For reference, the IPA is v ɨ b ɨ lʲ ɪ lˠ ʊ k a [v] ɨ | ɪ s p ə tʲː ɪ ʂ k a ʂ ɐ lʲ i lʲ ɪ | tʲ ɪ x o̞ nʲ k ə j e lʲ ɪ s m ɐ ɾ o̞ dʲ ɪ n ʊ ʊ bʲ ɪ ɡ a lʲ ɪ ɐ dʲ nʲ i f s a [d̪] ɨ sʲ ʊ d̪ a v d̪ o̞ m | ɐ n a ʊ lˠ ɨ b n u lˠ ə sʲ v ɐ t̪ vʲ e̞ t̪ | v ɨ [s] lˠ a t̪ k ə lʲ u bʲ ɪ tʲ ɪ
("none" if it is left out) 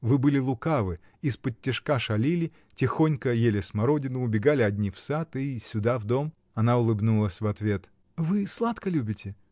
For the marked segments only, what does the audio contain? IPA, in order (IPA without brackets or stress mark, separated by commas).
v, t̪, s